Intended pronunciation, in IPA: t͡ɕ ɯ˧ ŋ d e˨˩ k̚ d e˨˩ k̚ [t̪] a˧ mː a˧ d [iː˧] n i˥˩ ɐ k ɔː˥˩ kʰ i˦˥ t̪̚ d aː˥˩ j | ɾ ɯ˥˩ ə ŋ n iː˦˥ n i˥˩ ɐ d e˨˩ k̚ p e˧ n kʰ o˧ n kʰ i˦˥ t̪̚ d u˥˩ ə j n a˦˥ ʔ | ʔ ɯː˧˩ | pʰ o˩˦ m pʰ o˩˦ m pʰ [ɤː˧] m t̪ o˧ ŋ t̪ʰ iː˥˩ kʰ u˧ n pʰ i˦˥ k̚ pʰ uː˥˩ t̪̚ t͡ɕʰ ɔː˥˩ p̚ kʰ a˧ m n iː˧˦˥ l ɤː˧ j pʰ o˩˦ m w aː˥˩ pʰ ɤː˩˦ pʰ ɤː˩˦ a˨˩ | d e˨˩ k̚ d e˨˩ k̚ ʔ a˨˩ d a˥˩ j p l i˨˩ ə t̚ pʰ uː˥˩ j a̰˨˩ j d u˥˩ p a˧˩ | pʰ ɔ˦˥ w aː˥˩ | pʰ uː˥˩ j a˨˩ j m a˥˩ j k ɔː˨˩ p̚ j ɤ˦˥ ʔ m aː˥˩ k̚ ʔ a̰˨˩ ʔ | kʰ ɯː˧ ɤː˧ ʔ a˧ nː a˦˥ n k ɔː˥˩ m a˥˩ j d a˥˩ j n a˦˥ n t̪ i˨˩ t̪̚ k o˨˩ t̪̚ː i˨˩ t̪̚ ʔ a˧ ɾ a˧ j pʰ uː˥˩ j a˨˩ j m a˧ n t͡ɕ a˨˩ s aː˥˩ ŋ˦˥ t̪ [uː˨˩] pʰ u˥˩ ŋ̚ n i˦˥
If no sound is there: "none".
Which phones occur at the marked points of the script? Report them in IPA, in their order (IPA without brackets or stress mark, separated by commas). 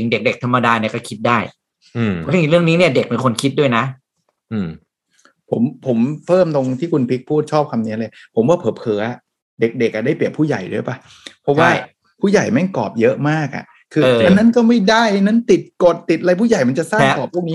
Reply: t̪ʰ, aː˧, ɤː˥˩, ɔː˨˩